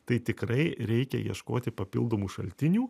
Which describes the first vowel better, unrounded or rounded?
unrounded